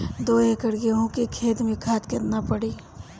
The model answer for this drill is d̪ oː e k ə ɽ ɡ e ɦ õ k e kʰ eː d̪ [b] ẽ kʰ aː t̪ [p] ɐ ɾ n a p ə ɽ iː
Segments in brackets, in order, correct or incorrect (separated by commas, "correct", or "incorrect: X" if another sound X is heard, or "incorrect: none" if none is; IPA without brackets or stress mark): incorrect: m, incorrect: k